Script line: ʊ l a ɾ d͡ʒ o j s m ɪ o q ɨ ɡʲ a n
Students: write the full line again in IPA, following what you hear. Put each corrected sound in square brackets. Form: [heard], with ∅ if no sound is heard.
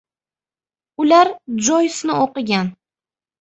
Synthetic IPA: ʊ l a ɾ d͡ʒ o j s [n] ɪ o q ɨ ɡʲ a n